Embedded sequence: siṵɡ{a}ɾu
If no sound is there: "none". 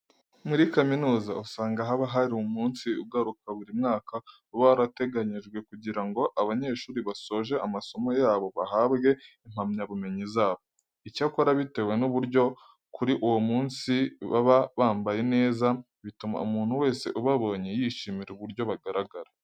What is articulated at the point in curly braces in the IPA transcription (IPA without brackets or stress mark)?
a